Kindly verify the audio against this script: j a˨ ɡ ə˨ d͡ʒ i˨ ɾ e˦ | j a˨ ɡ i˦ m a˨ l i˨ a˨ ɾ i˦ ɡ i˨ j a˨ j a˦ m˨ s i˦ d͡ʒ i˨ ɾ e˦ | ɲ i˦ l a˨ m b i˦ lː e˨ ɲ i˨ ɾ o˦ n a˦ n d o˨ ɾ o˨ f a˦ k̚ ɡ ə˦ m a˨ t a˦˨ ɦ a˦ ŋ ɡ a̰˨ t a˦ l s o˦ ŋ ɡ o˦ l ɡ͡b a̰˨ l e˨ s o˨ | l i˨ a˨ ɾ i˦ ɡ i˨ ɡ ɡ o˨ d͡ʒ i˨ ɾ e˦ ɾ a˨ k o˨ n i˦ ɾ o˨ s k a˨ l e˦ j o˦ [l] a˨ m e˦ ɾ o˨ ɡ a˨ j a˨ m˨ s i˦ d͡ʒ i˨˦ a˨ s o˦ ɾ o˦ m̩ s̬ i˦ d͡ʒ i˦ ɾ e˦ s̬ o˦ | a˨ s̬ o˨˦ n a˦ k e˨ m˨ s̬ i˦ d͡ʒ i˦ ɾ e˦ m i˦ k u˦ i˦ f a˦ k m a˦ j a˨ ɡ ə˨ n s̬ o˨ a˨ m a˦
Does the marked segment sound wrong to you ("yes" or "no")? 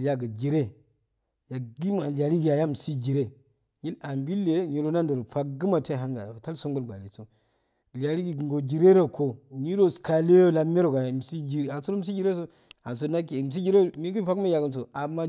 no